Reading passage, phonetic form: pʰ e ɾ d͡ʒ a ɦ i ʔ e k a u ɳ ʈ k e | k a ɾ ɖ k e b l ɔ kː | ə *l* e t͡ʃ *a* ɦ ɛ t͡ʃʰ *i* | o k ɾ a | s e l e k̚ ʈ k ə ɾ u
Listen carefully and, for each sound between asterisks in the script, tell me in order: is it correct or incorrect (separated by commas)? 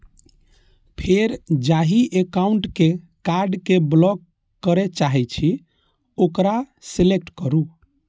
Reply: incorrect, correct, correct